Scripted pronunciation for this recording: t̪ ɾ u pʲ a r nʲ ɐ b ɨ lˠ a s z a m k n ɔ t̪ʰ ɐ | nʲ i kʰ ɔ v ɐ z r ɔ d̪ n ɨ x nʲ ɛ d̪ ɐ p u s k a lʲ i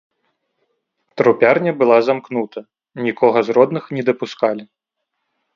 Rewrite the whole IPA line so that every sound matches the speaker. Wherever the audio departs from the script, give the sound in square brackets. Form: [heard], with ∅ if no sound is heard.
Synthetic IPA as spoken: t̪ ɾ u pʲ a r nʲ ɐ b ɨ lˠ a [∅] z a m k n [u] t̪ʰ ɐ | nʲ i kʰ ɔ [ɣ] ɐ z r ɔ d̪ n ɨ x nʲ ɛ d̪ ɐ p u s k a lʲ i